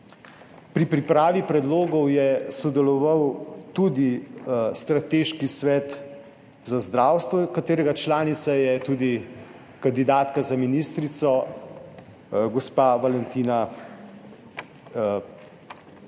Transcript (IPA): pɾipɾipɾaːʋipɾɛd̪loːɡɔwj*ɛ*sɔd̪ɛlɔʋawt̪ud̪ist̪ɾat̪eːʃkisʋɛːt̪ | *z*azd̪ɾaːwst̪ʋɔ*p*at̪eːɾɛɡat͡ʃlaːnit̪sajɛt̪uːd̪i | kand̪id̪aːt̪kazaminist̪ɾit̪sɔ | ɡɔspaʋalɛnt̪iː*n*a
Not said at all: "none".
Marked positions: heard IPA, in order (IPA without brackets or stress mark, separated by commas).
ɛ, z, k, n